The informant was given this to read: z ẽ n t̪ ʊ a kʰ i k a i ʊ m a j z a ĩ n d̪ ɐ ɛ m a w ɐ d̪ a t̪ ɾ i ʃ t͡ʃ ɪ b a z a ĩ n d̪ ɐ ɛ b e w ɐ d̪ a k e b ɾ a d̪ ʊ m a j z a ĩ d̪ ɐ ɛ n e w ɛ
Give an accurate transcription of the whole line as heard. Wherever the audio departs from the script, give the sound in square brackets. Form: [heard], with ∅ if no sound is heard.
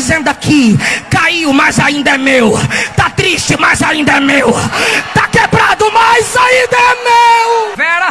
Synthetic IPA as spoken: z ẽ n [d̪] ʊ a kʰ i k a i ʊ m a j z a ĩ n d̪ ɐ ɛ m [e] w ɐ [t̪] a t̪ ɾ i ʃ t͡ʃ ɪ [m] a z a ĩ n d̪ ɐ ɛ [m] e w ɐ [t̪] a k e b ɾ a d̪ ʊ m a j z a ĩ d̪ ɐ ɛ [m] e w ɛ

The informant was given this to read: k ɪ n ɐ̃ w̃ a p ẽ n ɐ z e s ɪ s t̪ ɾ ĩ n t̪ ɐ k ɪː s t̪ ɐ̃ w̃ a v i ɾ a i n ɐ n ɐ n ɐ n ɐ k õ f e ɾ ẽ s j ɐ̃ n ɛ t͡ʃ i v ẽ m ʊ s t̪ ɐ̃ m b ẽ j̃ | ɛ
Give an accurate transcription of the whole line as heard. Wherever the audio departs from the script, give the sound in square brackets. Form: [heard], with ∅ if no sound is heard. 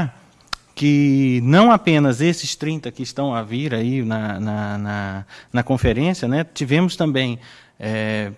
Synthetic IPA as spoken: k ɪ n ɐ̃ w̃ a p ẽ n ɐ z e s ɪ s t̪ ɾ ĩ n t̪ ɐ k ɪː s t̪ ɐ̃ w̃ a v i ɾ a i n ɐ n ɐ n ɐ n ɐ k õ f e ɾ ẽ s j [ɐ] n ɛ t͡ʃ i v ẽ m ʊ s t̪ ɐ̃ m b ẽ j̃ | ɛ

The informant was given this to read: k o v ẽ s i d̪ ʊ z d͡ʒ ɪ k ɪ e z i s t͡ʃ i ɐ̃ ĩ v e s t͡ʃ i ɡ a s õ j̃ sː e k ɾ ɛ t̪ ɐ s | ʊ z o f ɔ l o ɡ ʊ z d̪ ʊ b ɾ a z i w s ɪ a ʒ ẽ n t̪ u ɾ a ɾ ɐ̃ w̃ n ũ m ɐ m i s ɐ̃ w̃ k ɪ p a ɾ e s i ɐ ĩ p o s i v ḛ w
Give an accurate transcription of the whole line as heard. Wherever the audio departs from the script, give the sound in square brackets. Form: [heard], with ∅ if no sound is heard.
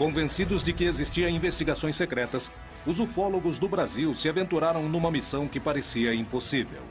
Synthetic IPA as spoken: k [õ] v ẽ s i d̪ ʊ z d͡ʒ ɪ k ɪ e z i s t͡ʃ i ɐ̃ ĩ v e s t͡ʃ i ɡ a s õ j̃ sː e k ɾ ɛ t̪ ɐ s | ʊ z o f ɔ l o ɡ ʊ z d̪ ʊ b ɾ a z i w s ɪ a [v] ẽ n t̪ u ɾ a ɾ ɐ̃ w̃ n ũ m ɐ m i s ɐ̃ w̃ k ɪ p a ɾ e s i ɐ ĩ p o s i v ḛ w

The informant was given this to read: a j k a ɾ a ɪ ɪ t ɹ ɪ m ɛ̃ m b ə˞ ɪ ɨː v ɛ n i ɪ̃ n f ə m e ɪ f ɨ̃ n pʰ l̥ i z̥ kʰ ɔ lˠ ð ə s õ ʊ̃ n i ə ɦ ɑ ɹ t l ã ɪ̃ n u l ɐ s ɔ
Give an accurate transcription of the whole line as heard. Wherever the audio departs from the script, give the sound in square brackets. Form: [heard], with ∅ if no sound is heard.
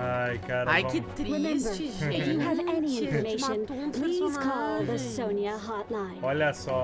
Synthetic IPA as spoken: a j k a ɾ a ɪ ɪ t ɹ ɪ m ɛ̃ m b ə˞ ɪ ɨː v ɛ n i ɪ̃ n f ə m e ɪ [ʃ] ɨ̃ n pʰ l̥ i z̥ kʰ ɔ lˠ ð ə s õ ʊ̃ n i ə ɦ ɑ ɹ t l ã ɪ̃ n [ɔ] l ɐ s ɔ

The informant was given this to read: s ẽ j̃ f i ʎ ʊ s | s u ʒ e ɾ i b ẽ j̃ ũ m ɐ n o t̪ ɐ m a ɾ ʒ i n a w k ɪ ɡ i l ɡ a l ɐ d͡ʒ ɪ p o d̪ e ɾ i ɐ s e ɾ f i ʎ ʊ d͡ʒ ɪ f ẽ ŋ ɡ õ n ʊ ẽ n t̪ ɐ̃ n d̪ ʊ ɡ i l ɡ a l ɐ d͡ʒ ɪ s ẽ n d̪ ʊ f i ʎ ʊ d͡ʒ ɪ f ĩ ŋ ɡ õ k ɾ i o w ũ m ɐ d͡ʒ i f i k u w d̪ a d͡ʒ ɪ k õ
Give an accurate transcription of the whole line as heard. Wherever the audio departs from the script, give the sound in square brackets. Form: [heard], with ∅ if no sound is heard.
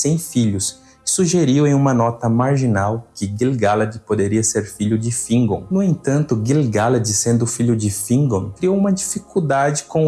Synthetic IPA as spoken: s ẽ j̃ f i ʎ ʊ s | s u ʒ e ɾ i [w] ẽ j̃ ũ m ɐ n [ɔ] t̪ ɐ m a ɾ ʒ i n a w k ɪ ɡ i l ɡ a l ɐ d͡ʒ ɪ p o d̪ e ɾ i ɐ s e ɾ f i ʎ ʊ d͡ʒ ɪ f [ĩ] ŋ ɡ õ n ʊ ẽ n t̪ ɐ̃ n [t̪] ʊ ɡ i l ɡ a l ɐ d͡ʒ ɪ s ẽ n d̪ ʊ f i ʎ ʊ d͡ʒ ɪ f ĩ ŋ ɡ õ k ɾ i o w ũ m ɐ d͡ʒ i f i k u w d̪ a d͡ʒ ɪ k õ

